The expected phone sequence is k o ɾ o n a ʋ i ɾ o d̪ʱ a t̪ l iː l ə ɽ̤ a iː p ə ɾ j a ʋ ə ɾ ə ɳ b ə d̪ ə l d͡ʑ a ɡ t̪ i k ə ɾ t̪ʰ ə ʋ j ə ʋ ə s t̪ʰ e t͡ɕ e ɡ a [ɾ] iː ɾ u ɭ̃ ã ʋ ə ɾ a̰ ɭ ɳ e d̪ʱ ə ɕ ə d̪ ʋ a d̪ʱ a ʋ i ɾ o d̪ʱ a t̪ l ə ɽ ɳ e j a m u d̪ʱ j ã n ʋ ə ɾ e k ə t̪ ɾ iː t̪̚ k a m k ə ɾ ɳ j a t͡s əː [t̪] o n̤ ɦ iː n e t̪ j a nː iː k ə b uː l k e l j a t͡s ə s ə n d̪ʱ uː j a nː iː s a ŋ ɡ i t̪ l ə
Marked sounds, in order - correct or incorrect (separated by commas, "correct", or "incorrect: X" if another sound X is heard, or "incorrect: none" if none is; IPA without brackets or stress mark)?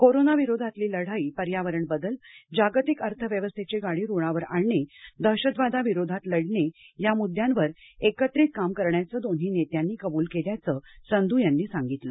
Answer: incorrect: ɽ, incorrect: d̪